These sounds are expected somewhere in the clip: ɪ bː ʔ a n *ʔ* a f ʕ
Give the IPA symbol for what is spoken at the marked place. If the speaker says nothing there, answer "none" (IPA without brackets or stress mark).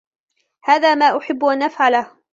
ʔ